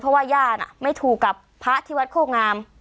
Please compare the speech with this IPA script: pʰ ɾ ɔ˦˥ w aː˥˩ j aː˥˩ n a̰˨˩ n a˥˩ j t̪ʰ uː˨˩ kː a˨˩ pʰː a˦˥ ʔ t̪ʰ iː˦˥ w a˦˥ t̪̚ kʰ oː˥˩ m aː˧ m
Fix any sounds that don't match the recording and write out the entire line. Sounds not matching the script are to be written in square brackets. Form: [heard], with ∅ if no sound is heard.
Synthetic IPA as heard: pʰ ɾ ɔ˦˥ w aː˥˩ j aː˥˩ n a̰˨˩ [m] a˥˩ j t̪ʰ uː˨˩ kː a˨˩ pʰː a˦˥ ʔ t̪ʰ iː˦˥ w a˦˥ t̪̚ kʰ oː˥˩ [ŋ] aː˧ m

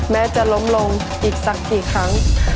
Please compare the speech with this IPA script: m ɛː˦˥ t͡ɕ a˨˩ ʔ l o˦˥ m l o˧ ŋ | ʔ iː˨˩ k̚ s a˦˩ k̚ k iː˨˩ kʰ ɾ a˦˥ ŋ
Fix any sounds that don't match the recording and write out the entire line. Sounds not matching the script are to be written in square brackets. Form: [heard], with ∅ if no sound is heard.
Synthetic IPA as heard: m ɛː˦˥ t͡ɕ a˨˩ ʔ l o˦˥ m l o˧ ŋ | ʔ iː˨˩ k̚ s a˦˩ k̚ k iː˨˩ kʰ ɾ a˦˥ ŋ

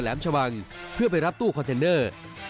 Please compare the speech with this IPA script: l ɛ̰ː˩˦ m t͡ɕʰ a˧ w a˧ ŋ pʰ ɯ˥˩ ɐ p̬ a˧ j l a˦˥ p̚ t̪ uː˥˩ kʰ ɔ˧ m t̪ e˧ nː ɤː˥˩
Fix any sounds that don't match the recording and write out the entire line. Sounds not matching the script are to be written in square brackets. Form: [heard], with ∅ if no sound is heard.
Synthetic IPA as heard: l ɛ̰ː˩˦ m t͡ɕʰ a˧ w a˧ ŋ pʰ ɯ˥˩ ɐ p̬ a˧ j [ɾ] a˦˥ p̚ t̪ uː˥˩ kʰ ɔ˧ [n] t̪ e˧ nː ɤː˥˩

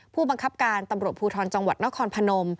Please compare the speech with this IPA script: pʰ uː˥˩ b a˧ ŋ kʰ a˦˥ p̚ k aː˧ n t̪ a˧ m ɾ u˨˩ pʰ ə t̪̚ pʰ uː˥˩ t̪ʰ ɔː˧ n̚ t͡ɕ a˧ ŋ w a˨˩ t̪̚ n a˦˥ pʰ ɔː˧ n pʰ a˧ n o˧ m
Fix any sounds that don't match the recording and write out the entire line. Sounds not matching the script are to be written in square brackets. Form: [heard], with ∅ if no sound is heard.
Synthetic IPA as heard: pʰ uː˥˩ b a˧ ŋ kʰ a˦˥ p̚ k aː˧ n t̪ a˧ m ɾ u˨˩ [∅] ə t̪̚ pʰ [uː˧] t̪ʰ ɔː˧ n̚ t͡ɕ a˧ ŋ w a˨˩ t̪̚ n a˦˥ [kʰ] ɔː˧ n pʰ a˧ n o˧ m

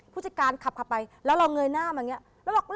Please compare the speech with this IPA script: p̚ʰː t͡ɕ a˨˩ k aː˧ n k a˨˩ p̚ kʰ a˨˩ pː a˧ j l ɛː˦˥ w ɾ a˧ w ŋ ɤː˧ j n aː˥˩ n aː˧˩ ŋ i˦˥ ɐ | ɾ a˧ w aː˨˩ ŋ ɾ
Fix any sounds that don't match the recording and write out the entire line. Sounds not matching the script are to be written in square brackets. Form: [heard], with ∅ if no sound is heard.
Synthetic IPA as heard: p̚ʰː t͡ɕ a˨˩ k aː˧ n [kʰ] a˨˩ p̚ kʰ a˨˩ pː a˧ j l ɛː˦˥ w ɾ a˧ w ŋ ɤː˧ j n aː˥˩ [m] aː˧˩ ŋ i˦˥ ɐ | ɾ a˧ w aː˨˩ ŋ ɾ

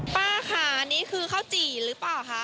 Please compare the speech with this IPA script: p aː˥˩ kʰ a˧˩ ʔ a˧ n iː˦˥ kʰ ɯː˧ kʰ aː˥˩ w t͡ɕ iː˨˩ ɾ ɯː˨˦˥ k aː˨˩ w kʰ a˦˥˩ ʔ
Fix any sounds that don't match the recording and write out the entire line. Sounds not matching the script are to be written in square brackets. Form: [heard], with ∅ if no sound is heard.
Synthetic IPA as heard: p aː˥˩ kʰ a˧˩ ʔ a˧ n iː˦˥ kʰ ɯː˧ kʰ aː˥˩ w t͡ɕ iː˨˩ ɾ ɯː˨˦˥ [p] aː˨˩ w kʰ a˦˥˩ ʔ

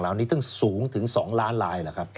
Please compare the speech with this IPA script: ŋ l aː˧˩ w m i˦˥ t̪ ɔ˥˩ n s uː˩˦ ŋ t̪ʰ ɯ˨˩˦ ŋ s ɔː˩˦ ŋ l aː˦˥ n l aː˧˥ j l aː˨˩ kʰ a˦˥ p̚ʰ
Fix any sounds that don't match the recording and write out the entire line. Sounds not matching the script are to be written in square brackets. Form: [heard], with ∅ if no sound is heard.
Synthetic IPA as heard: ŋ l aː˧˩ w [n] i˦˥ t̪ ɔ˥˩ [ŋ] s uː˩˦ ŋ t̪ʰ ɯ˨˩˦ ŋ s ɔː˩˦ ŋ l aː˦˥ n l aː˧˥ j l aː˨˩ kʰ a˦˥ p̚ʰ

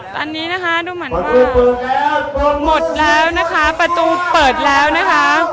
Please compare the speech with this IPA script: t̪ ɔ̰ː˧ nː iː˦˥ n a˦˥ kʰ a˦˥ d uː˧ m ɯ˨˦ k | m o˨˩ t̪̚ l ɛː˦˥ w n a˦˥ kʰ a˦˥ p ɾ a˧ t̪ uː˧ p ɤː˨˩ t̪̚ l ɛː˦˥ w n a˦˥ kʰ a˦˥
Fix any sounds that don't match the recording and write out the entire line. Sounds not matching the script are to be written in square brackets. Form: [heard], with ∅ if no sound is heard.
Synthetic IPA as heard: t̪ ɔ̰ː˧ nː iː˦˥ n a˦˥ kʰ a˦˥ d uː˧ m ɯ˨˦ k | m o˨˩ t̪̚ l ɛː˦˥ w n a˦˥ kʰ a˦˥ p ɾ a˧ t̪ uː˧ p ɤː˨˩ t̪̚ l ɛː˦˥ w n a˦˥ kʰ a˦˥

